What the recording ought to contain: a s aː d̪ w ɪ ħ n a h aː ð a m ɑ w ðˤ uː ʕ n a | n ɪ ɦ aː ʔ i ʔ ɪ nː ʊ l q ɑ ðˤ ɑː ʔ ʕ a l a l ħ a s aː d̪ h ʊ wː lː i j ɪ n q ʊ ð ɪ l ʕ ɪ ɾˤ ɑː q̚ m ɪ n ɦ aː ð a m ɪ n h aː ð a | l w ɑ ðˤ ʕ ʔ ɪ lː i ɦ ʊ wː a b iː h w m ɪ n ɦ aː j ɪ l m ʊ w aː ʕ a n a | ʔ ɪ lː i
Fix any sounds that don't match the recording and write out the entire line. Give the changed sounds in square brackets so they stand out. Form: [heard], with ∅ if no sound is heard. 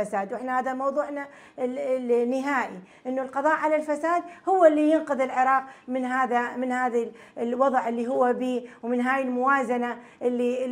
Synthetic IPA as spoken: a s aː d̪ w ɪ ħ n a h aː ð a m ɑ w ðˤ uː ʕ n a | n ɪ ɦ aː ʔ i ʔ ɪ nː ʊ l q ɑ ðˤ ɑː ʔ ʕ a l a l [f] a s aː d̪ h ʊ wː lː i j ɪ n q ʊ ð ɪ l ʕ ɪ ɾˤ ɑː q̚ m ɪ n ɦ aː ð a m ɪ n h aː ð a | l w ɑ ðˤ ʕ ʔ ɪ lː i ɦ ʊ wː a b iː [∅] w m ɪ n ɦ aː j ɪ l m ʊ w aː [z] a n a | ʔ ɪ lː i